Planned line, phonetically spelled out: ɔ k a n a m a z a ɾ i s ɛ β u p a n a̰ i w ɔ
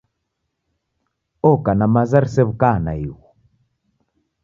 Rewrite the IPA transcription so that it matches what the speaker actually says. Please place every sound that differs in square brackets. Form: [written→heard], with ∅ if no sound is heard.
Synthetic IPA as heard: ɔ k a n a m a z a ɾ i s ɛ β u [p→k] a n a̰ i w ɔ